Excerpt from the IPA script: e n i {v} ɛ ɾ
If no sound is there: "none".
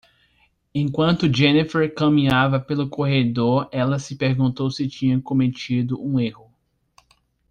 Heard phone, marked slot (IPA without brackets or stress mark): f